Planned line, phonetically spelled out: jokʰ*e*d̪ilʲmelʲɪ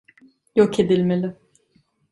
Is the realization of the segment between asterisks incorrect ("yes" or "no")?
no